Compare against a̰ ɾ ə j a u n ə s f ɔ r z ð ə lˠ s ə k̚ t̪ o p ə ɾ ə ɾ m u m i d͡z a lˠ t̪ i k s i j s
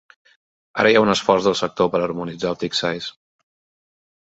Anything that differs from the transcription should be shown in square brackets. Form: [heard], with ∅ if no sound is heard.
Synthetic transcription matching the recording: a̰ ɾ ə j a u n ə s f ɔ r z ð ə lˠ s ə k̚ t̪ o p ə ɾ ə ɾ m u [n] i d͡z a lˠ t̪ i k s [a] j s